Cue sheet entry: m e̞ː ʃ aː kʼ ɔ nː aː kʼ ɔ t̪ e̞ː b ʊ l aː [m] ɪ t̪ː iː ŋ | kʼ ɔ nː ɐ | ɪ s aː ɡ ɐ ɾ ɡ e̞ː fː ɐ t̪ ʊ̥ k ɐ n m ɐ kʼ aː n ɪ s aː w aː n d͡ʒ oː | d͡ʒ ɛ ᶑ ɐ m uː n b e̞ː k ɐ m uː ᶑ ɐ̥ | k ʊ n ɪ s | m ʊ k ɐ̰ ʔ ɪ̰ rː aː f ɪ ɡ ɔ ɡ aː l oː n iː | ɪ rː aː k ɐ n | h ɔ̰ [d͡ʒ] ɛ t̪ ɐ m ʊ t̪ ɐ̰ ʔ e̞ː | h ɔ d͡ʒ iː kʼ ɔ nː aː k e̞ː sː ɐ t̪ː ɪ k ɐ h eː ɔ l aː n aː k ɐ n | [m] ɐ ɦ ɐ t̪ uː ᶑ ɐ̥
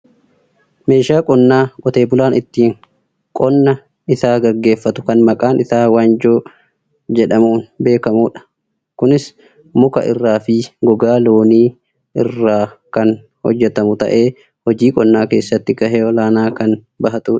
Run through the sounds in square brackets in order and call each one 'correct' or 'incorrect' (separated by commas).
incorrect, incorrect, incorrect